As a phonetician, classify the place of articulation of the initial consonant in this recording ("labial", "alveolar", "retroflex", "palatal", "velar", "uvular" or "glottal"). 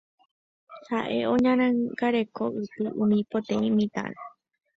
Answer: glottal